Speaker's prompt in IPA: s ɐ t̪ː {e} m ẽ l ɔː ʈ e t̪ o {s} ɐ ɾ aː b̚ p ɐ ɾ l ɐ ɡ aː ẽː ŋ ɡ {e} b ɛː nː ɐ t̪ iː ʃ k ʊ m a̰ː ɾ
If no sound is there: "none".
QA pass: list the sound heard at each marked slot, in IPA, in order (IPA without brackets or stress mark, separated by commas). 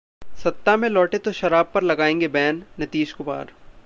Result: a, ʃ, e